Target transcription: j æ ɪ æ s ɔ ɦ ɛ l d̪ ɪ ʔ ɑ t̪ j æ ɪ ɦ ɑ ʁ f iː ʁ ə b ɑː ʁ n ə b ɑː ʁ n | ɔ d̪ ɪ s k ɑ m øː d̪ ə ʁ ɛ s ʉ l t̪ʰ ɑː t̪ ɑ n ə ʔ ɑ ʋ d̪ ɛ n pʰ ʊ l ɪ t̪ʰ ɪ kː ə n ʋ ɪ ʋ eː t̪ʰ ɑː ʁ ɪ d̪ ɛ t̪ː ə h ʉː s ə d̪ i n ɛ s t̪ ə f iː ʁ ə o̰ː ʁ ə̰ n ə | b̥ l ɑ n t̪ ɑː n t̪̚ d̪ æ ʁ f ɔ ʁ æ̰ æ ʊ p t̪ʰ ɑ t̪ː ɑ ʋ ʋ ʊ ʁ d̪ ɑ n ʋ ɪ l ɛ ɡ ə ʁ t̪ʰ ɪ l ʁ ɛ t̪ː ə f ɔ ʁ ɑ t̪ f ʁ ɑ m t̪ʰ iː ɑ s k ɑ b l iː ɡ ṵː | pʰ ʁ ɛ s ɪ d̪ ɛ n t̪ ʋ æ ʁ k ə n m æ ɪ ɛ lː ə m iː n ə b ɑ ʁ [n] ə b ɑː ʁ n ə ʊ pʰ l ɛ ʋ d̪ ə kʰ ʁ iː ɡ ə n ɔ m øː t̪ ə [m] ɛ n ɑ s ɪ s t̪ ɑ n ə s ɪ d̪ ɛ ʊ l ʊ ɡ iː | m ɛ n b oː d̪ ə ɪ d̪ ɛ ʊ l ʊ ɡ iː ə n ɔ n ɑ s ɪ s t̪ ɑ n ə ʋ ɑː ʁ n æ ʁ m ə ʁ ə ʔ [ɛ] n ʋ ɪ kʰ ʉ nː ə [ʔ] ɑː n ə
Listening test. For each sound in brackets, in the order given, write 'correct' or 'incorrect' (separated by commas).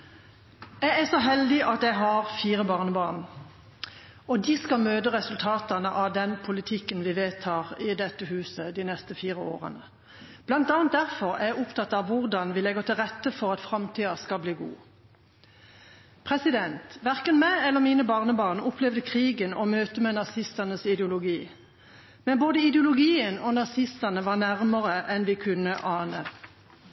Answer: correct, correct, correct, correct